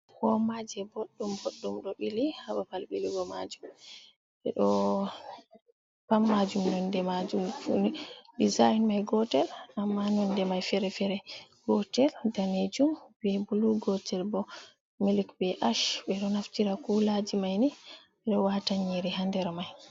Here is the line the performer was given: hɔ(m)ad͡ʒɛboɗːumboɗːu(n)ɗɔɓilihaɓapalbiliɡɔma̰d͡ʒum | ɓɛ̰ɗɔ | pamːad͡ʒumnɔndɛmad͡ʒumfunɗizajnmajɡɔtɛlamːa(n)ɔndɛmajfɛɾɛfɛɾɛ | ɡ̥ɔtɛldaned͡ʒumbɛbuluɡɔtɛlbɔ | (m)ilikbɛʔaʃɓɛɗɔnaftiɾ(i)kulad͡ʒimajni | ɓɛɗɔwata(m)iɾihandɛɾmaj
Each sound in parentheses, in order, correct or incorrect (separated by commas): correct, incorrect, correct, correct, incorrect, incorrect